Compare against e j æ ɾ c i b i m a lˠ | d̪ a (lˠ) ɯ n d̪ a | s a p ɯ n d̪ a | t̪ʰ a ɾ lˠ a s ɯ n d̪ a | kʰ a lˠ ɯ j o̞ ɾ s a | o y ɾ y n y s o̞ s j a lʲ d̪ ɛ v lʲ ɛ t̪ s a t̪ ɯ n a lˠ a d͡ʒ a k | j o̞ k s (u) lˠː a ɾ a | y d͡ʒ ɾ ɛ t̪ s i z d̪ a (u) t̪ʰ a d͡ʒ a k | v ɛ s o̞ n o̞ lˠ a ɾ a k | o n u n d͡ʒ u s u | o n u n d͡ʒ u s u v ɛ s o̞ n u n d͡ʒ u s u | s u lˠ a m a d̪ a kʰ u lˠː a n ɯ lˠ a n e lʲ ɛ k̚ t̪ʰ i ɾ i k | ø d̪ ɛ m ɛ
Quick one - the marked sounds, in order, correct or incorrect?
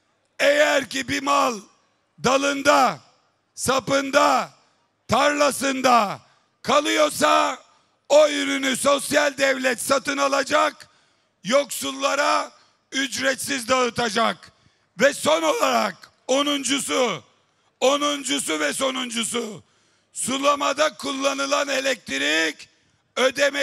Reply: correct, correct, incorrect: ɯ

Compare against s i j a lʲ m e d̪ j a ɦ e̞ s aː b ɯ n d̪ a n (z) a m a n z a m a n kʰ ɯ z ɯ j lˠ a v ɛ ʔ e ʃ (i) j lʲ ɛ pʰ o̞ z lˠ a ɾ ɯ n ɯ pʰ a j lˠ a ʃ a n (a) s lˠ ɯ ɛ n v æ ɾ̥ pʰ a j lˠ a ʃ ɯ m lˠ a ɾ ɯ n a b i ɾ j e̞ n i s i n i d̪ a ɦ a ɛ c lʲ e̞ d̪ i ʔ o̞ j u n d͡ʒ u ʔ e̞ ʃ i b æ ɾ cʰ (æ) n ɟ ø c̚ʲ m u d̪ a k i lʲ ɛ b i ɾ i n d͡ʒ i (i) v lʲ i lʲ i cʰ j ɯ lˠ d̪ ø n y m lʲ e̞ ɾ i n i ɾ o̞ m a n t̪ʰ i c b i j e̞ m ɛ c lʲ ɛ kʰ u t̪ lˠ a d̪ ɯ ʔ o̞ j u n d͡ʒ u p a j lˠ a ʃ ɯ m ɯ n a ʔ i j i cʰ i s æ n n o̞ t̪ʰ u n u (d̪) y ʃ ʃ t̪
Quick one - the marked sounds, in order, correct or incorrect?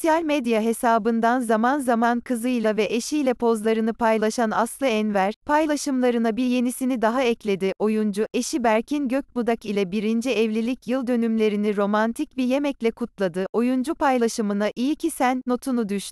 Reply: correct, correct, correct, incorrect: i, incorrect: ɛ, correct

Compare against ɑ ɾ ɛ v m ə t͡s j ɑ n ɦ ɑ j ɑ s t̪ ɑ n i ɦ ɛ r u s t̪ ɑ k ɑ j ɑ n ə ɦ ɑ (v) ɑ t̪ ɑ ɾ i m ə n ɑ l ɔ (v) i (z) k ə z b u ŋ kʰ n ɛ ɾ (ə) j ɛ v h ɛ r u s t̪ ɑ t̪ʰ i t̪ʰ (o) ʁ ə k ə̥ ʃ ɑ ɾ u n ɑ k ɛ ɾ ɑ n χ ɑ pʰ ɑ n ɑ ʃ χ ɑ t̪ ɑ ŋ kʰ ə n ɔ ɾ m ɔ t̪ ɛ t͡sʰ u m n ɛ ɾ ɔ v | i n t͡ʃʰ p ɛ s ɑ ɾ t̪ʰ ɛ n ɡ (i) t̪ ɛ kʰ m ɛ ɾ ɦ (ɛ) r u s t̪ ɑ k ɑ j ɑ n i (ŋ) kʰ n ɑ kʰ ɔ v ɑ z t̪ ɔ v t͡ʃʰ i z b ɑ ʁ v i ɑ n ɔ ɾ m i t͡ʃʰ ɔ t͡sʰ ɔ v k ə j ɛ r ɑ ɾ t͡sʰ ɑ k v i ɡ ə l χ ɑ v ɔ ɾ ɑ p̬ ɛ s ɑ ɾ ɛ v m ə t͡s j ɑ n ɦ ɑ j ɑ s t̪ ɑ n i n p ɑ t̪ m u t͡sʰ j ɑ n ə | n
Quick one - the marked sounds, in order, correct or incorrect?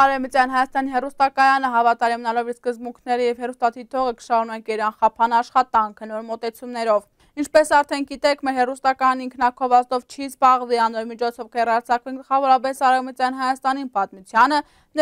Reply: correct, correct, incorrect: s, correct, incorrect: ɔ, correct, correct, correct

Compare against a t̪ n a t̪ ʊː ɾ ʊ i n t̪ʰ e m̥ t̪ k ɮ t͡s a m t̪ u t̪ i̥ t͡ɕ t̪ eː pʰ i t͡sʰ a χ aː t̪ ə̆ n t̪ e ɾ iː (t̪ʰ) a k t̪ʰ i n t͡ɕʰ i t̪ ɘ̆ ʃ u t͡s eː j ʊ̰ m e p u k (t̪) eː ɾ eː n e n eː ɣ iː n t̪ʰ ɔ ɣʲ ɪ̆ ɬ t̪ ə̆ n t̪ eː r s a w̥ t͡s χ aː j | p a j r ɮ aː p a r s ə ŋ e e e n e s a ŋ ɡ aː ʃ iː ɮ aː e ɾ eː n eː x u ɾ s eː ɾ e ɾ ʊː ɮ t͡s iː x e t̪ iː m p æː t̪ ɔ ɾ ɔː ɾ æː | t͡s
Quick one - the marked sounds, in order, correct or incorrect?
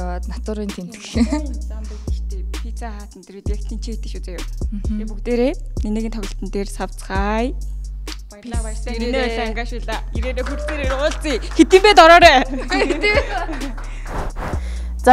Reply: incorrect: t̪, correct

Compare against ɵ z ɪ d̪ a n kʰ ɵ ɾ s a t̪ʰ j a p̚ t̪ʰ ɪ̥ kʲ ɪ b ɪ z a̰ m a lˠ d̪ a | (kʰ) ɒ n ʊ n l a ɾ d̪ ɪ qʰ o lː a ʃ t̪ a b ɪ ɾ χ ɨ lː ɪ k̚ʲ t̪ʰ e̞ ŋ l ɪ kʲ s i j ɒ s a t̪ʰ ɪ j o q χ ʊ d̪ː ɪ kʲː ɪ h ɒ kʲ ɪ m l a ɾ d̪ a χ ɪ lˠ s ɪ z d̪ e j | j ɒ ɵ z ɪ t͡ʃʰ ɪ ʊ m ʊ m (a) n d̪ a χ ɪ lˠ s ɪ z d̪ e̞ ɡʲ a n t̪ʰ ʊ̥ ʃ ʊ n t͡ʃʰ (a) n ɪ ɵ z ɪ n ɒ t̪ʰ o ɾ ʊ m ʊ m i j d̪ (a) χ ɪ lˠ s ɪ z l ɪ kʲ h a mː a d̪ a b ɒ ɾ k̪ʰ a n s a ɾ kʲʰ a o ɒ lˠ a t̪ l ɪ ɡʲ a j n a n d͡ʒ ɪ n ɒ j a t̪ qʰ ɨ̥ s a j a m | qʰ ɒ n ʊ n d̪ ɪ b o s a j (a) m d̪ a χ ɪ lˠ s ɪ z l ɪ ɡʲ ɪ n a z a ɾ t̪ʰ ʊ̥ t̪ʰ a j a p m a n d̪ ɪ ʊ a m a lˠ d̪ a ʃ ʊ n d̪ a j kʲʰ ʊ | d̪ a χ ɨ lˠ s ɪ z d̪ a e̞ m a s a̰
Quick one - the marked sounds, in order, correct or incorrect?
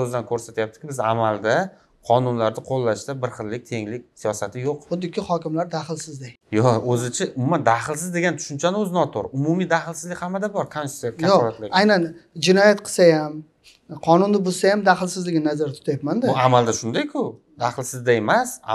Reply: incorrect: qʰ, correct, correct, correct, correct

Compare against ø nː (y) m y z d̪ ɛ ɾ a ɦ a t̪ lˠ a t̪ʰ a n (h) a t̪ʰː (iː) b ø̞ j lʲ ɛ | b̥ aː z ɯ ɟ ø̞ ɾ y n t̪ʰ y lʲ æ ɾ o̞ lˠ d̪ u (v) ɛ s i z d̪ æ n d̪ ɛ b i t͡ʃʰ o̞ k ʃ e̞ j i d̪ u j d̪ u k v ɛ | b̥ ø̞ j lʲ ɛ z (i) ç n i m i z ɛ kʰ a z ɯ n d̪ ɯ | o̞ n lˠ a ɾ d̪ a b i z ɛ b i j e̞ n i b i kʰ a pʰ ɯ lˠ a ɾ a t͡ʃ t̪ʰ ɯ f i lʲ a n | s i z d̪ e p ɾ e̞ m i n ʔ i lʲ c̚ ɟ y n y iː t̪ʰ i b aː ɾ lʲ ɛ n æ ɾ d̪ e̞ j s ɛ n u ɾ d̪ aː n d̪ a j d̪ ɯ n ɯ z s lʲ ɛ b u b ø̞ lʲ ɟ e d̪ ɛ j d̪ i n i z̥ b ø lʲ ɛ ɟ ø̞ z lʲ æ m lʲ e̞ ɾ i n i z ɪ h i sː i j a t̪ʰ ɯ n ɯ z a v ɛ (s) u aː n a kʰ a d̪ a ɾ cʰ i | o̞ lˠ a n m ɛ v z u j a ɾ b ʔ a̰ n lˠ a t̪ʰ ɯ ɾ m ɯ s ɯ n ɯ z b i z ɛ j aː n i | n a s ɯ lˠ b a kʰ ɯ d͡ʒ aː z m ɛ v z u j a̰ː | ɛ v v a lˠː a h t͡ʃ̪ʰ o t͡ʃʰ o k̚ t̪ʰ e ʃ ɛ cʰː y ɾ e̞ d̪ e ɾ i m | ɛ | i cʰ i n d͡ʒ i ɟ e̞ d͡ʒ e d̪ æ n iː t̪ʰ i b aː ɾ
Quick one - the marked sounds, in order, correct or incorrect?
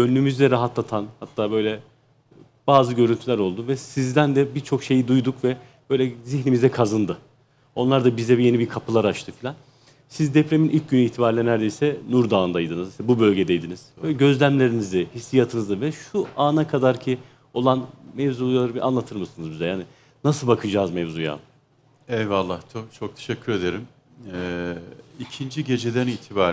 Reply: correct, correct, incorrect: aː, correct, correct, incorrect: ʃ

